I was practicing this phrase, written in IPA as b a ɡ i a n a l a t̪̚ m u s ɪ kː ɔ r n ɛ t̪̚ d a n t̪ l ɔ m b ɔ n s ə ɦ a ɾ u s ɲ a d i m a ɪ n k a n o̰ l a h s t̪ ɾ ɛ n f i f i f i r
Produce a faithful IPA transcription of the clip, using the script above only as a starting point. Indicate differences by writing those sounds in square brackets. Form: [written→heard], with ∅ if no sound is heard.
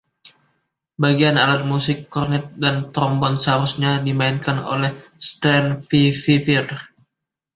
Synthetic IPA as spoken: b a ɡ i a n a l a t̪̚ m u s ɪ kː ɔ r n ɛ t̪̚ d a n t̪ [l→ɾ] ɔ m b ɔ n s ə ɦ a ɾ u s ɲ a d i m a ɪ n k a n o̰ l [a→ɛ] h s t̪ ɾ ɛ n f i f i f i r